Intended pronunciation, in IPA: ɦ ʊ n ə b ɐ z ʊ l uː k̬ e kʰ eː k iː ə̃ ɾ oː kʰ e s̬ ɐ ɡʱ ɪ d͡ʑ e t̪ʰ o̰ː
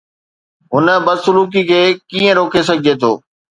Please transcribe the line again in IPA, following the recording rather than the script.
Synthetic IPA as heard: ɦ ʊ n ə b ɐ s ʊ l uː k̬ i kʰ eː k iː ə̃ ɾ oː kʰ e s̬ ɐ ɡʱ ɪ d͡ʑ e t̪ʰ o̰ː